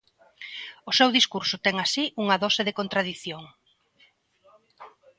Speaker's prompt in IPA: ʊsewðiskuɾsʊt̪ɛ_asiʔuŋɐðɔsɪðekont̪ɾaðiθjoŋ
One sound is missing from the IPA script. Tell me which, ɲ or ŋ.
ŋ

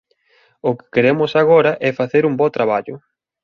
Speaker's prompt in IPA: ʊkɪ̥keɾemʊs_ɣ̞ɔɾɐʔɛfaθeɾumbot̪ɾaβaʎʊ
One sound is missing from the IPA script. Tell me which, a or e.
a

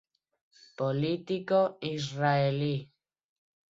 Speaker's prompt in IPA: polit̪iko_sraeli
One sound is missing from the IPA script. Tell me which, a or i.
i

